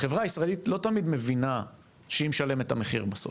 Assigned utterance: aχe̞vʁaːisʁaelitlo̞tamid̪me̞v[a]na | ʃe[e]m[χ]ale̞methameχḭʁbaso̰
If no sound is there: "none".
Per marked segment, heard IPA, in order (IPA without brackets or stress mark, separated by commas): i, i, ʃ